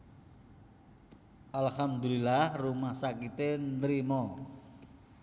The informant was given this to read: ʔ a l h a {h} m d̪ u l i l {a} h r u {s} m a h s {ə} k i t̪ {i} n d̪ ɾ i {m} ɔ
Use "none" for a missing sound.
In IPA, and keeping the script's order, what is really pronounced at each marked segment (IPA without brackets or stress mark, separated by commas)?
none, a, none, a, e, m